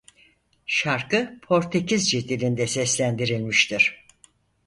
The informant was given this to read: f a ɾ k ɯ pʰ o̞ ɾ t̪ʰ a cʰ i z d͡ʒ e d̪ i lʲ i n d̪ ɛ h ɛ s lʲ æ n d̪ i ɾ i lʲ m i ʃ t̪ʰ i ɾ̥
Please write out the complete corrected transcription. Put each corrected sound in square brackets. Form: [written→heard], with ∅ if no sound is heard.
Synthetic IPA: [f→ʃ] a ɾ k ɯ pʰ o̞ ɾ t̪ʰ [a→e] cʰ i z d͡ʒ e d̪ i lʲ i n d̪ ɛ [h→s] ɛ s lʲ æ n d̪ i ɾ i lʲ m i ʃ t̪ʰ i ɾ̥

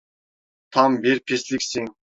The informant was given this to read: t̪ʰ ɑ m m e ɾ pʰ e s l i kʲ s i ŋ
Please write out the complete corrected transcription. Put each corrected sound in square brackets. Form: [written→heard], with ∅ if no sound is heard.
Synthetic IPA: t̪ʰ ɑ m [m→b] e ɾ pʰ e s l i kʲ s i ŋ

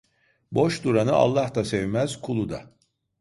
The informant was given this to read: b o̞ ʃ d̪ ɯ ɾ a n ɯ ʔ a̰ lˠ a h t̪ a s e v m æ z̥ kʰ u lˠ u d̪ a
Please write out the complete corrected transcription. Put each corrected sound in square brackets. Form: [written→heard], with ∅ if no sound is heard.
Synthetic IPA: b o̞ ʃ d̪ [ɯ→u] ɾ a n ɯ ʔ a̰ [lˠ→lˠː] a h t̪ a s e v m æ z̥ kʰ u lˠ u d̪ a

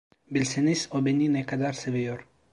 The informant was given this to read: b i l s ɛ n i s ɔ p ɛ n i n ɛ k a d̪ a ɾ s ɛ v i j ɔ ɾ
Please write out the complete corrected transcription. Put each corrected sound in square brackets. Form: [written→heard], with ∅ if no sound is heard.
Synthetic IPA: b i l s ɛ n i s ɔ [p→b] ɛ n i n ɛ k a d̪ a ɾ s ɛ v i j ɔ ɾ

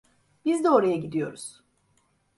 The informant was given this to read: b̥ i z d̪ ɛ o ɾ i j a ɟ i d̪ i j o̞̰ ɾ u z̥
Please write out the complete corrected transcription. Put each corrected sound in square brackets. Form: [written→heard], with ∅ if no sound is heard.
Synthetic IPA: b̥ i z d̪ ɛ o ɾ [i→a] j a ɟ i d̪ i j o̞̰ ɾ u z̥

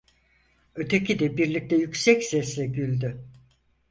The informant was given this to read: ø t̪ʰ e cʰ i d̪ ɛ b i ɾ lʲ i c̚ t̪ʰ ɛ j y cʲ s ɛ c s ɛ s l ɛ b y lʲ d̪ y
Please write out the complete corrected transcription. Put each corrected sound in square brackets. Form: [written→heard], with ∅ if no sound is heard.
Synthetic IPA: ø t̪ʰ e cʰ i d̪ ɛ b i ɾ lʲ i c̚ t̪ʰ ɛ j y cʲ s ɛ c s ɛ s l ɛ [b→ɟ] y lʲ d̪ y

